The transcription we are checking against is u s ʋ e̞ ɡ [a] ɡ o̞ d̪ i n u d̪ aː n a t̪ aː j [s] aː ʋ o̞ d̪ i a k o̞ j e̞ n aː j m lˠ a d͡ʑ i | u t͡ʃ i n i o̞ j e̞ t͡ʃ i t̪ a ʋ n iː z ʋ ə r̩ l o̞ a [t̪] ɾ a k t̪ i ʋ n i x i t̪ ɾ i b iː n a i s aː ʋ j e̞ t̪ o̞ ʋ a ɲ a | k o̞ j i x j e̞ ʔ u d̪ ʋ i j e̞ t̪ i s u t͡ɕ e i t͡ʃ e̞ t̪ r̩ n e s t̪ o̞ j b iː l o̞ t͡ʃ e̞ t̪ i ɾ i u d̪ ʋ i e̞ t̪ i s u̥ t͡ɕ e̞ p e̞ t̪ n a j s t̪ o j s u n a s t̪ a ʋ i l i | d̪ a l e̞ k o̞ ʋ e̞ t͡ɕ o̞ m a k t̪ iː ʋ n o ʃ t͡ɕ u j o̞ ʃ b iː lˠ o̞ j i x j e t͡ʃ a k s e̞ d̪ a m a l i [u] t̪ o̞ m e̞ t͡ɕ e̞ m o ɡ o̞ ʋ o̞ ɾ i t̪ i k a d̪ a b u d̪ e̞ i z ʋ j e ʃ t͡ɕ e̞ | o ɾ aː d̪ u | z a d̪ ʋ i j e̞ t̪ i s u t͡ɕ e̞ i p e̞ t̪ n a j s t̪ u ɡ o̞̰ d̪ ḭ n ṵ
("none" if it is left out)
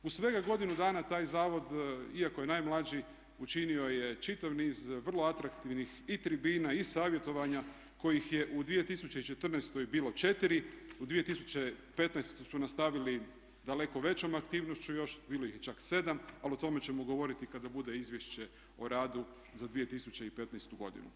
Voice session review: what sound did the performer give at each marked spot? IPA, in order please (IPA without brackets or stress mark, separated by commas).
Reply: a, z, t̪, o